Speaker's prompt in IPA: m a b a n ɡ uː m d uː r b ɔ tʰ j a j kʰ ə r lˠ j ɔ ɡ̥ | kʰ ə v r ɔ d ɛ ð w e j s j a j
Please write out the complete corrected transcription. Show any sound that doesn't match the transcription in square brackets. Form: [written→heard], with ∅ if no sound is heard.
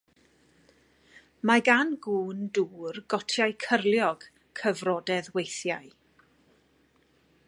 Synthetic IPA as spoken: m a [b→ɡ] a n ɡ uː [m→n] d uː r [b→ɡ] ɔ tʰ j a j kʰ ə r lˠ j ɔ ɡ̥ | kʰ ə v r ɔ d ɛ ð w e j [s→θ] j a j